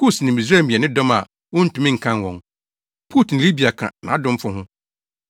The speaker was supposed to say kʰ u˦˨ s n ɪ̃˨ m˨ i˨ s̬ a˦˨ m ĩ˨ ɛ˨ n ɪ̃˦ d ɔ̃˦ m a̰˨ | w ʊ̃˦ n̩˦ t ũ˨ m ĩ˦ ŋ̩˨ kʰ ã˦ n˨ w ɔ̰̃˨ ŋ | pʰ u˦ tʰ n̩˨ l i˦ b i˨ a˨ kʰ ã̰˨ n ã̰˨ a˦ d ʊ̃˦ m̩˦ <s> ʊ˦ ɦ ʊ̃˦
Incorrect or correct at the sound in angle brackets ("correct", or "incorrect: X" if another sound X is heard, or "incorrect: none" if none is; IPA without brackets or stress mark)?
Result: incorrect: f